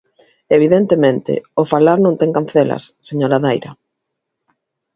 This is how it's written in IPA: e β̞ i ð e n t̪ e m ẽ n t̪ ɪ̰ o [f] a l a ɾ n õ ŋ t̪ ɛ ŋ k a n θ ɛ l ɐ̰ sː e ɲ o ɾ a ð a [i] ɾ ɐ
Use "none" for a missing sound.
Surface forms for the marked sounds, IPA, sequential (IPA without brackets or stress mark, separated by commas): f, j